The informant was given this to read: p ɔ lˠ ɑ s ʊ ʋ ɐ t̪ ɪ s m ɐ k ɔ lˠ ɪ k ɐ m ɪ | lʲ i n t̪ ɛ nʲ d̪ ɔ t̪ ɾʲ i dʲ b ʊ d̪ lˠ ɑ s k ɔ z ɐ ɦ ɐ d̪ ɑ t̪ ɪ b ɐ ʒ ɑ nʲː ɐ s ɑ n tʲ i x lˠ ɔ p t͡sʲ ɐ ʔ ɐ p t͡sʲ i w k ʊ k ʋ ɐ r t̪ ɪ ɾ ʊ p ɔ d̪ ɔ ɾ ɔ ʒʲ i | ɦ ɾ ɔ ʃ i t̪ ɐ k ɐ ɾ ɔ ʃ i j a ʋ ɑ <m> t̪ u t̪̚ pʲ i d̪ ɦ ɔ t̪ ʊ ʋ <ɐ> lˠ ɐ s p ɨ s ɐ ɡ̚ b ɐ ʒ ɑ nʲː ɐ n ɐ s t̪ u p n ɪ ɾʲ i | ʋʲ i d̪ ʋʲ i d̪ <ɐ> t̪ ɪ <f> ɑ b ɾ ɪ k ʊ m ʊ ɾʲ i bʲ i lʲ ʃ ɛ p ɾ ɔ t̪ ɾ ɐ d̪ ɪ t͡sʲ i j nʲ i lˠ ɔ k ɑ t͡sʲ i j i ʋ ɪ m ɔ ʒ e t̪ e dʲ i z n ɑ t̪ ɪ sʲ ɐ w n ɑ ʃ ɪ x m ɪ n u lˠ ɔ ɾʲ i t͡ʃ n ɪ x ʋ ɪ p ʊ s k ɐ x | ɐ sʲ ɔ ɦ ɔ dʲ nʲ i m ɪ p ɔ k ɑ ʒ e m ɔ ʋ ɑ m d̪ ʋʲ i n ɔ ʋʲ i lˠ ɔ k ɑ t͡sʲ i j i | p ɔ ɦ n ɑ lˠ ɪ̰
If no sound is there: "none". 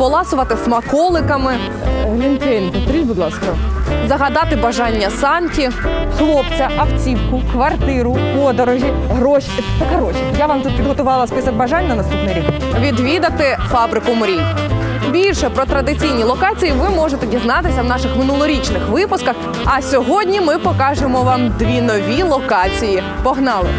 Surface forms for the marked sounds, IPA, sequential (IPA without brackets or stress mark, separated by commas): m, ɑ, ɐ, f